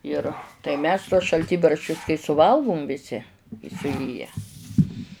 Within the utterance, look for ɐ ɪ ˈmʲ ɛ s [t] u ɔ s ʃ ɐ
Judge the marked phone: correct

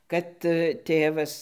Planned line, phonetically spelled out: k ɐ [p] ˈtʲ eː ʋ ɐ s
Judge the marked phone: incorrect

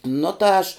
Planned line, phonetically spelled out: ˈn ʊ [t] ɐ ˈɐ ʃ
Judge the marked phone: correct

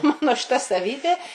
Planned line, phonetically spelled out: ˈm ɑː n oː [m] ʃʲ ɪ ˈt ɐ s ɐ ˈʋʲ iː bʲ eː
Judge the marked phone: incorrect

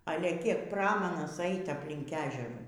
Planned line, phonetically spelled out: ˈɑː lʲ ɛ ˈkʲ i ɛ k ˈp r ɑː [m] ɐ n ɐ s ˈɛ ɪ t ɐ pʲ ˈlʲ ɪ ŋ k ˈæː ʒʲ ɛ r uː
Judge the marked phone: correct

